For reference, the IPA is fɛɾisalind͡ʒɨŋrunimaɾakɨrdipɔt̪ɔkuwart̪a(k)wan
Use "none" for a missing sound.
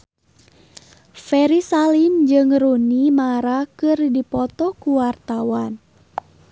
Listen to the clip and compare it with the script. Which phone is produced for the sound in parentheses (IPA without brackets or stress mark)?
none